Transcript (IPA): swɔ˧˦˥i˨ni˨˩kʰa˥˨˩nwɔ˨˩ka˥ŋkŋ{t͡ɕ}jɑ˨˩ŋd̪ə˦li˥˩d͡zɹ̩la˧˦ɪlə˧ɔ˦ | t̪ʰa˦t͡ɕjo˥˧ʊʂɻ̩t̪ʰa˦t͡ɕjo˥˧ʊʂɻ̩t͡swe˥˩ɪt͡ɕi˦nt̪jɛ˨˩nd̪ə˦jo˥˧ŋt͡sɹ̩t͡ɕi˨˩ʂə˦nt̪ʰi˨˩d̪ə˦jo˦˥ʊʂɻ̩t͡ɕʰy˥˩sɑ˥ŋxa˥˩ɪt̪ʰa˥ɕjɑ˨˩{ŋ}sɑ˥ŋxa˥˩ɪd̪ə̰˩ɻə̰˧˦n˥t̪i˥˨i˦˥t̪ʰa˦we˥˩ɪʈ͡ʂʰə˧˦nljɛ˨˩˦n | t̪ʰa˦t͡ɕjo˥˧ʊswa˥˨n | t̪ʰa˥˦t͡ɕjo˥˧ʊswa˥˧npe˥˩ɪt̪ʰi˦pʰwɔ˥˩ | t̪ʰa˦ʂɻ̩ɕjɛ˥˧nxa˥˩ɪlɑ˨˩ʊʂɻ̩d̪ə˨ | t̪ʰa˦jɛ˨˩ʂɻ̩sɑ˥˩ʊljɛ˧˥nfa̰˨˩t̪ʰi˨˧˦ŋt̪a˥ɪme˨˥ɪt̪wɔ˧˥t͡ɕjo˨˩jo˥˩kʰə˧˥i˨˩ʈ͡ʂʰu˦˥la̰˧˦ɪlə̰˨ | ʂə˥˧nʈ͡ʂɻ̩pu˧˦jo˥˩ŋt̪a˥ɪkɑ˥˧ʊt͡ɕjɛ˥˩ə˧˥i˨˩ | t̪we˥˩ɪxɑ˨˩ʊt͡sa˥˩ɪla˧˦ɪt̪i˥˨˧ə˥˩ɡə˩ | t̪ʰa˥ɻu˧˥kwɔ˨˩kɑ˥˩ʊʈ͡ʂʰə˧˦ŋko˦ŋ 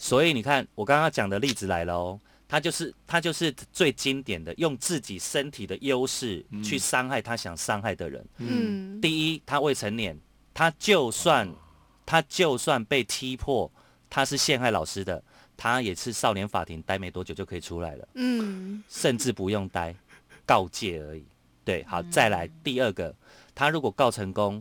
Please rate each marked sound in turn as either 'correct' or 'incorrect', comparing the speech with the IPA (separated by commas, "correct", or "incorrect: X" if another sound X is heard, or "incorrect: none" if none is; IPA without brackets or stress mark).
correct, correct